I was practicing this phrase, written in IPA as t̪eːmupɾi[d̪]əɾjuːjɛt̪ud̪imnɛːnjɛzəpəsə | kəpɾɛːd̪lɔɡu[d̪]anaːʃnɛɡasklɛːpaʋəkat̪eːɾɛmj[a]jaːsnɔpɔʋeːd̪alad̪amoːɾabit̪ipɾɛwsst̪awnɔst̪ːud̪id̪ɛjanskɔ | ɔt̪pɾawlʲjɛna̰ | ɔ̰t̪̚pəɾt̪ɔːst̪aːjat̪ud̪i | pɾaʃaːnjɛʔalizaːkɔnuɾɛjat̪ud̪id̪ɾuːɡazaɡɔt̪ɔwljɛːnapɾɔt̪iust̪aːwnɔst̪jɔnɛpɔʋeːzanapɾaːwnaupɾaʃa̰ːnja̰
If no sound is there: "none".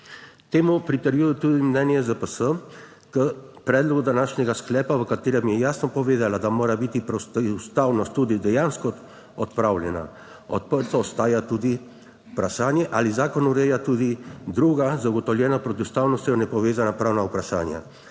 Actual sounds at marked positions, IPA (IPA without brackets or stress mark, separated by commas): t̪, d̪, ɛ